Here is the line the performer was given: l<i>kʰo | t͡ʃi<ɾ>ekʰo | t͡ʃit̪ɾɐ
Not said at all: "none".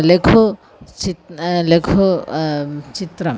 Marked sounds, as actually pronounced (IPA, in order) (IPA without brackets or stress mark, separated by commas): e, l